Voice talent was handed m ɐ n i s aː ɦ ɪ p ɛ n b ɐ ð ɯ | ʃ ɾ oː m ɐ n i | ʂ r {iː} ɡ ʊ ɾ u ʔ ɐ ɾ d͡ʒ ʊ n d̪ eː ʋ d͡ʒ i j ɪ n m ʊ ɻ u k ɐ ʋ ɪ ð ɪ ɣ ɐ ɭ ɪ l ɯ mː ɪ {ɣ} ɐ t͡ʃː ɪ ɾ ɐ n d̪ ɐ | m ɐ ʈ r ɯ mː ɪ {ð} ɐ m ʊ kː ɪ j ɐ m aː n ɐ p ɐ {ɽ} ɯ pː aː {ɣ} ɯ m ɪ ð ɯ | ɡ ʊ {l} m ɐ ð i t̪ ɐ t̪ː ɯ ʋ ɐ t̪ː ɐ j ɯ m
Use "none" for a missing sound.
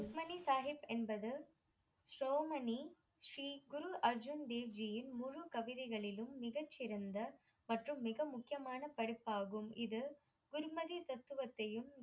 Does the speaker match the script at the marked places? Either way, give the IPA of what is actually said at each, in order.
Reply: iː, ɣ, ɣ, ɽ, ɣ, ɾ

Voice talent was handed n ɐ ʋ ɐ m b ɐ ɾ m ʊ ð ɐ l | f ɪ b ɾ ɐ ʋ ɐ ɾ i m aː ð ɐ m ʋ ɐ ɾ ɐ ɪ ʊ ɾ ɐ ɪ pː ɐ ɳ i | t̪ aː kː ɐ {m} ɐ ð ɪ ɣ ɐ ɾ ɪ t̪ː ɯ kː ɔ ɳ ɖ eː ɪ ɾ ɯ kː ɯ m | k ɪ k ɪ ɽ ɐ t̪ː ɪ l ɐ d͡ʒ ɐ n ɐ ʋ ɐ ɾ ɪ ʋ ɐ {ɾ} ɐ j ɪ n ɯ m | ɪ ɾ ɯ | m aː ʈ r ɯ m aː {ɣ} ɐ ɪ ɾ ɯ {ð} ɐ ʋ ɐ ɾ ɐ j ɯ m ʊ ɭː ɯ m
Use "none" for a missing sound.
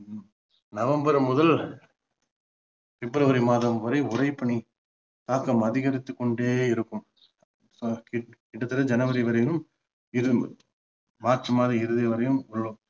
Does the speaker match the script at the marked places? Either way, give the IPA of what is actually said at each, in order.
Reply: m, ɾ, ð, ð

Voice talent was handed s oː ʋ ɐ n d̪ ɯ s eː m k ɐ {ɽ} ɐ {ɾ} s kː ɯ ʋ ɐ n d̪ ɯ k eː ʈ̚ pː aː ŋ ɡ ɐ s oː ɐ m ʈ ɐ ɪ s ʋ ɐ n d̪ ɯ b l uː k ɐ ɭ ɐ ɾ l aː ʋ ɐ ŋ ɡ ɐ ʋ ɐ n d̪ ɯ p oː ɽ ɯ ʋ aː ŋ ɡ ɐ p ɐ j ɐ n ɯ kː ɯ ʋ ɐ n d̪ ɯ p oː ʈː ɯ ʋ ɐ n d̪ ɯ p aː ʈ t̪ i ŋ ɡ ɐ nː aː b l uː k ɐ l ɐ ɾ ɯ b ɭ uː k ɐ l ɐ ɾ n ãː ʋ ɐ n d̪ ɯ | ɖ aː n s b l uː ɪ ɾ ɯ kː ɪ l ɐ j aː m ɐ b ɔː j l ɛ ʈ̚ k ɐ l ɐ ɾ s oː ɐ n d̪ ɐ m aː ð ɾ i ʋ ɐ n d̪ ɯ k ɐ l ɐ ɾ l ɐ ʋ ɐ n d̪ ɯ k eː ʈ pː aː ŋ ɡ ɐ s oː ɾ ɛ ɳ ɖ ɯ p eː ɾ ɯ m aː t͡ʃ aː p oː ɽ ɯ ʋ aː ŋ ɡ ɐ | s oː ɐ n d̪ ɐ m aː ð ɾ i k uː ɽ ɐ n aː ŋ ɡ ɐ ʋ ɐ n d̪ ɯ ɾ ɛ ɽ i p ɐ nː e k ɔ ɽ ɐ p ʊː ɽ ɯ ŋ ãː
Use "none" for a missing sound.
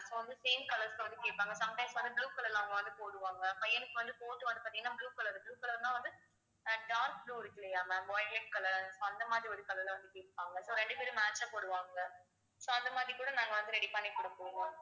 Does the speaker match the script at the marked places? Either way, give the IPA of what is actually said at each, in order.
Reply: l, ɾ

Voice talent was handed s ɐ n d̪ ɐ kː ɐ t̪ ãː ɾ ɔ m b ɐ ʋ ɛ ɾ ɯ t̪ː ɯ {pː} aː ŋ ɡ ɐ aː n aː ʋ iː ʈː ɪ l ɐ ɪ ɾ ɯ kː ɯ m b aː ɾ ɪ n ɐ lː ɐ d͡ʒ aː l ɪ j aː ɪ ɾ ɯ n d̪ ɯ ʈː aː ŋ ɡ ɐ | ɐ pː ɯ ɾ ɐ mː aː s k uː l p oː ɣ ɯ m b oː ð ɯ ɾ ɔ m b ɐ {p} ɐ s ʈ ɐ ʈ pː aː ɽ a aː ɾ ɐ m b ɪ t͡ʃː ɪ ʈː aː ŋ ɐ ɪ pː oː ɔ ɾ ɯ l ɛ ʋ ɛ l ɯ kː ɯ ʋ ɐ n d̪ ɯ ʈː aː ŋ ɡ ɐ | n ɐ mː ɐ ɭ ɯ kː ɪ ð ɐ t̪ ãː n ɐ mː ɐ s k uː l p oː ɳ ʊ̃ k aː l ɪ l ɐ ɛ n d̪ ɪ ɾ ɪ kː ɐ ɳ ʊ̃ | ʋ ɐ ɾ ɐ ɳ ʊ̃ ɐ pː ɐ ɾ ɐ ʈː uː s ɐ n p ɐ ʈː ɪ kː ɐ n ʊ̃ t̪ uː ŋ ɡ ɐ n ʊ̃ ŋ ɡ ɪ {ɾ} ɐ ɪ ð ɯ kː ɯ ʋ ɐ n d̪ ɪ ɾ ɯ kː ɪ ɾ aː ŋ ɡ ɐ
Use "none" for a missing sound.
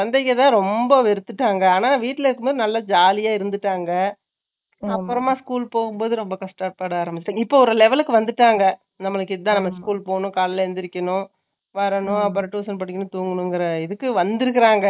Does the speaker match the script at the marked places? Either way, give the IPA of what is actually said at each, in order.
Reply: ʈː, k, ɾ

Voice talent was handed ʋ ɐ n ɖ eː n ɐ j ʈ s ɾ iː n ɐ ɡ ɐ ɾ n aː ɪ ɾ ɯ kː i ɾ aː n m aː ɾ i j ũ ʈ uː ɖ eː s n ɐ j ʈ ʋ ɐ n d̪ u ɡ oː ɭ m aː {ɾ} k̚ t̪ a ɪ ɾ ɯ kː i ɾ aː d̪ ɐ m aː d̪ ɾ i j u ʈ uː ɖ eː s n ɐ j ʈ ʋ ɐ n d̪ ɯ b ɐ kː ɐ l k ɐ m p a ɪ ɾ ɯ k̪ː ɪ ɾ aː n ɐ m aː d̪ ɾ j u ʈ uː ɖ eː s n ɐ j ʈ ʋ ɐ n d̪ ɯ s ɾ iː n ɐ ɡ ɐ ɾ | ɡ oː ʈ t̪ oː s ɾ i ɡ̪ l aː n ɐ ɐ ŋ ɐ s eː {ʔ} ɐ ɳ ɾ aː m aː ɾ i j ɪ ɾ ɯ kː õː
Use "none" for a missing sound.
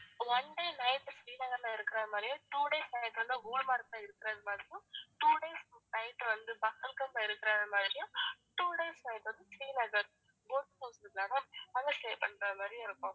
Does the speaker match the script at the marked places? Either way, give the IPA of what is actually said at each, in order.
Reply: ɾ, p

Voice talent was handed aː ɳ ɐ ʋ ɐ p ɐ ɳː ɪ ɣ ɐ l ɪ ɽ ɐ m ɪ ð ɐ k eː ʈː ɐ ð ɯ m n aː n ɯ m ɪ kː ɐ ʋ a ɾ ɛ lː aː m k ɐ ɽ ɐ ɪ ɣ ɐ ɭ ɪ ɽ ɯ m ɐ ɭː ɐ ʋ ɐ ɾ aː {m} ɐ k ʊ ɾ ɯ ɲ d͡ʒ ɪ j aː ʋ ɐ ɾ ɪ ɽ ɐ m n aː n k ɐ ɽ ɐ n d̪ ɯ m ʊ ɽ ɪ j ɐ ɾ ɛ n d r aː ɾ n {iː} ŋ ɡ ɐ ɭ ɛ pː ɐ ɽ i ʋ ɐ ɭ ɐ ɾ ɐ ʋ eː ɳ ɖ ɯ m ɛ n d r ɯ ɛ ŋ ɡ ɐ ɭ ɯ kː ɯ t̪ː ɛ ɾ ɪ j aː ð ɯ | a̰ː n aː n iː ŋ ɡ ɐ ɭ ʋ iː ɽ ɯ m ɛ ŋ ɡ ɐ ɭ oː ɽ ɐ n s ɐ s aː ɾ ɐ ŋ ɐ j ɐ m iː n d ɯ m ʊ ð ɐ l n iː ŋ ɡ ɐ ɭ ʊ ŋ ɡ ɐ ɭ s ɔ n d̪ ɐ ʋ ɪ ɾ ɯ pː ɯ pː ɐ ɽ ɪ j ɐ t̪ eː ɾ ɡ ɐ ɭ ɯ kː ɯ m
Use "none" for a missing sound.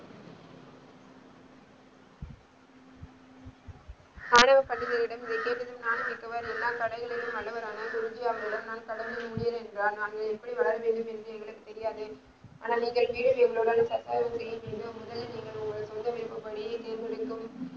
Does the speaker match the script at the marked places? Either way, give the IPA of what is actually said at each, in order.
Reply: n, aː

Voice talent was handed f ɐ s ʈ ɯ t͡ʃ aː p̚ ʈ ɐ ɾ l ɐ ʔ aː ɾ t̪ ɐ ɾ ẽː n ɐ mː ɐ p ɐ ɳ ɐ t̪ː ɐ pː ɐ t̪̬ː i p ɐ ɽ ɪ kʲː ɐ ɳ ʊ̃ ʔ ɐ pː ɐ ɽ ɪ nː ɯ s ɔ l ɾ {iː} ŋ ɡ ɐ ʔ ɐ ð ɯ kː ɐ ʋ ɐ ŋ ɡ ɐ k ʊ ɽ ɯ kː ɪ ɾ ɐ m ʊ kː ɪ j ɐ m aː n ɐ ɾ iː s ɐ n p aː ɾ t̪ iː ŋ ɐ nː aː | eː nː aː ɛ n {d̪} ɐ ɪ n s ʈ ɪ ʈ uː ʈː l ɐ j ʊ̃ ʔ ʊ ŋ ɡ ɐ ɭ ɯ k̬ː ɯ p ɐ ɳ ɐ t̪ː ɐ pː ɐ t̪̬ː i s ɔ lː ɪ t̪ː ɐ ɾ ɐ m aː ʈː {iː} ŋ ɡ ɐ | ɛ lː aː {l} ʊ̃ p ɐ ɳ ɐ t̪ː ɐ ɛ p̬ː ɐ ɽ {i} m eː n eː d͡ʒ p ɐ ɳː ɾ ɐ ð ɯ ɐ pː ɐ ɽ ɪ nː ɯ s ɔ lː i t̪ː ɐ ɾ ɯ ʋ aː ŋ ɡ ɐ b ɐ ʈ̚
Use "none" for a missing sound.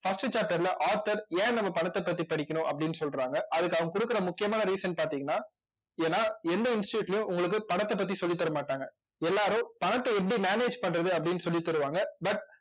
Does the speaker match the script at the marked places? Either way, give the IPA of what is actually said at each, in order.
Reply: aː, d̪, aː, ɾ, i

